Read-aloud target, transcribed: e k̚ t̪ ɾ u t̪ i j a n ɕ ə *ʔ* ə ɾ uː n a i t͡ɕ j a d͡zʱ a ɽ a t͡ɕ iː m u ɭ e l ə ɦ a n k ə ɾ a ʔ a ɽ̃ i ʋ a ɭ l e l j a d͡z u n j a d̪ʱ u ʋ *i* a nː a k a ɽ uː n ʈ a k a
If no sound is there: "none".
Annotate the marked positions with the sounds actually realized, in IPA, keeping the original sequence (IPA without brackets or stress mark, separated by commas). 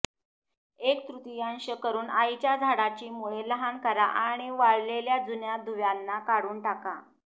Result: k, j